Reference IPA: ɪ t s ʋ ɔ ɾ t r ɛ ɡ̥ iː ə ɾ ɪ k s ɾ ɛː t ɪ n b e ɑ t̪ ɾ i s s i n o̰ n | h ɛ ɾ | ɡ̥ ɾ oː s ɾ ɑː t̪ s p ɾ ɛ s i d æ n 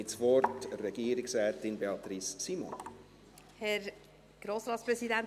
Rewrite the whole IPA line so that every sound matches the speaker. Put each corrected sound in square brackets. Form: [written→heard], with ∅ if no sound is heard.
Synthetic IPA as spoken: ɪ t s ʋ ɔ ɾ t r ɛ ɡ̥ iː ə ɾ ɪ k s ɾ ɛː t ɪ n b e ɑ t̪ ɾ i s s i [n→m] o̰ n | h ɛ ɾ | ɡ̥ ɾ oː s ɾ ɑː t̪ s p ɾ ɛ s i d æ n